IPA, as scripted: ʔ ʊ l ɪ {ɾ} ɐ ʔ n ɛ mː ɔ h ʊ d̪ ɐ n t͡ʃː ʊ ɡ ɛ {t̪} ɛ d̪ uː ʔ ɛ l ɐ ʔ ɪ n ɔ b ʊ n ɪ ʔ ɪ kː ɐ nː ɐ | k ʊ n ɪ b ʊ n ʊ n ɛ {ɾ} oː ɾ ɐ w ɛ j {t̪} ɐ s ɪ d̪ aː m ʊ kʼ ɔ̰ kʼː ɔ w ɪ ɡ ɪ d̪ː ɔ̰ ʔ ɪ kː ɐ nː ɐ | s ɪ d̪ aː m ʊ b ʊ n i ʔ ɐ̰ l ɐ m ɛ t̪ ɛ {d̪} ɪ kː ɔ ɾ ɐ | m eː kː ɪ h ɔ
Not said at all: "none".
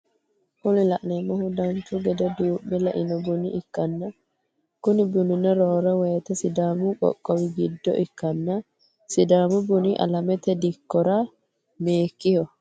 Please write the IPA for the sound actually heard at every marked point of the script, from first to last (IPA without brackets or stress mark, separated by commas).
l, d̪, ɾ, t̪, d̪